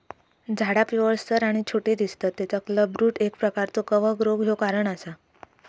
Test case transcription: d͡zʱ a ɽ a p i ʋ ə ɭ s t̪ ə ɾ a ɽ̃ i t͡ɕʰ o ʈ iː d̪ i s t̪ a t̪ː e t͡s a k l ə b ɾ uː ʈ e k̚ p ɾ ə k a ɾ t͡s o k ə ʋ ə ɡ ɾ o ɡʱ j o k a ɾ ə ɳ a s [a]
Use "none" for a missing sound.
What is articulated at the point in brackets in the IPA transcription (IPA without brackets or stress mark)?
a